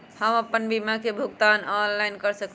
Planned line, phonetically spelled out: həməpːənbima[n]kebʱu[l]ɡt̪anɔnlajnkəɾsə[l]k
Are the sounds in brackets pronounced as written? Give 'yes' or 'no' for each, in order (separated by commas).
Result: no, no, no